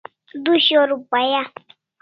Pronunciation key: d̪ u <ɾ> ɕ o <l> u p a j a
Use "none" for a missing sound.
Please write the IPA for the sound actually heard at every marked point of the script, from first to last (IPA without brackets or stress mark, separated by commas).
none, ɾ